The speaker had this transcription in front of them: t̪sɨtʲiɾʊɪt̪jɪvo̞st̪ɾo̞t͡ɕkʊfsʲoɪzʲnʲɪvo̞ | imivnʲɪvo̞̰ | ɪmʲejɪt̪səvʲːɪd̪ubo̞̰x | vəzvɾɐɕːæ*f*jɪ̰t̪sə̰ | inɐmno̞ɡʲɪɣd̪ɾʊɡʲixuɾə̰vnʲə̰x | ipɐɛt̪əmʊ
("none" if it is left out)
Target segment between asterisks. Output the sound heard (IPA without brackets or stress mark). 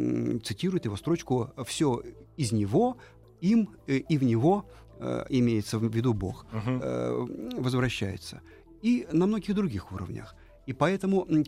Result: none